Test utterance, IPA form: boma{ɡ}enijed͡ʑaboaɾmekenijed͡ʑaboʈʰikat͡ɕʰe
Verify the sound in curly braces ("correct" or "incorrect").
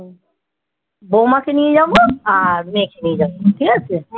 incorrect